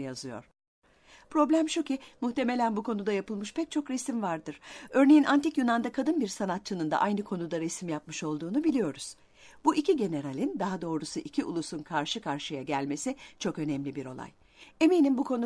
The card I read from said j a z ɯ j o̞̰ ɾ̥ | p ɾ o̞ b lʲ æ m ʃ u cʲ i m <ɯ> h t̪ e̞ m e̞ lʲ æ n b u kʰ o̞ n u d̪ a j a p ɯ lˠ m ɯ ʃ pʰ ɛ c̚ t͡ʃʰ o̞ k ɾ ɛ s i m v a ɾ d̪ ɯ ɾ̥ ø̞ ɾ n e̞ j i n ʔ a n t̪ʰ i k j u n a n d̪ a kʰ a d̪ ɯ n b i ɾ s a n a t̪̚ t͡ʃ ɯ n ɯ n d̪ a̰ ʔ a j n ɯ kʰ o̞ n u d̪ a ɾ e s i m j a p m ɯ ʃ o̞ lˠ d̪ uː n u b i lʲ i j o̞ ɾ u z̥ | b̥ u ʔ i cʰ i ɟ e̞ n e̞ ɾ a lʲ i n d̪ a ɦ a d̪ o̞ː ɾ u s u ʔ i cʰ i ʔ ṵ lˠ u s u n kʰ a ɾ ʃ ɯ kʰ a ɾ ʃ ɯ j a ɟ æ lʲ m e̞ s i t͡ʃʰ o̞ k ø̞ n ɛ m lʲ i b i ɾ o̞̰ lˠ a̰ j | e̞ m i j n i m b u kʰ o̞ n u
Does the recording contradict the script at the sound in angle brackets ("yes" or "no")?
yes